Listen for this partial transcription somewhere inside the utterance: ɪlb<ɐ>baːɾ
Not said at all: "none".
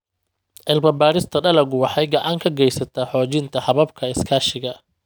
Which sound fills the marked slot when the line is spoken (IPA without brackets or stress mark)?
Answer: ɐ